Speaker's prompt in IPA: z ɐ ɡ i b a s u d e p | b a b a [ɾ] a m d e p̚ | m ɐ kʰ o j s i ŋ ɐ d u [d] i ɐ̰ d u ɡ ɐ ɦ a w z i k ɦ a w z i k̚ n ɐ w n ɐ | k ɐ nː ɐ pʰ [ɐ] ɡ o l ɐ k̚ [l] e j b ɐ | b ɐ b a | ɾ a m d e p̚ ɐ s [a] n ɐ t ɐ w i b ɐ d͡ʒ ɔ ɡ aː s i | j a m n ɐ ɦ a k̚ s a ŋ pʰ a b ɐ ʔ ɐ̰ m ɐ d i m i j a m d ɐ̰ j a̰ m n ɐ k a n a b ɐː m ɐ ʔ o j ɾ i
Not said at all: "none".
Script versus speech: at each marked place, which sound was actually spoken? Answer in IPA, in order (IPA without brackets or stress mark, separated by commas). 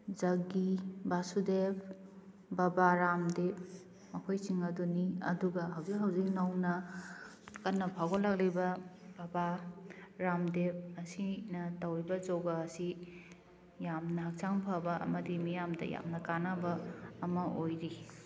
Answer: ɾ, n, a, l, i